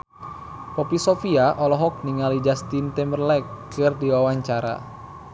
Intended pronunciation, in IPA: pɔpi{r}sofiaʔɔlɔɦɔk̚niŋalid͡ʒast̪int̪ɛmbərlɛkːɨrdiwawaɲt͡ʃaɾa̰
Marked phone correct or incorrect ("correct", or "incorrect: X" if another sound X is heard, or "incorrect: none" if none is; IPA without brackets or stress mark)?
incorrect: none